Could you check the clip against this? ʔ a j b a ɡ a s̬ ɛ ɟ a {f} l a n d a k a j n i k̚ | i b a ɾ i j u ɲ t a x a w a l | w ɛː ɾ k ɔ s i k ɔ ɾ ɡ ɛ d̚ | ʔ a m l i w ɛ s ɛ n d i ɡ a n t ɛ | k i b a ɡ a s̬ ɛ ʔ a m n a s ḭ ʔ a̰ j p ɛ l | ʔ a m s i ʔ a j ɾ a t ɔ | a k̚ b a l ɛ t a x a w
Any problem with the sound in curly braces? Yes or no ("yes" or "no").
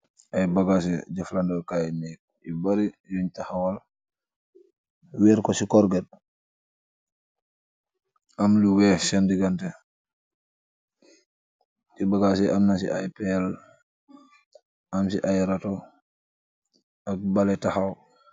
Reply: no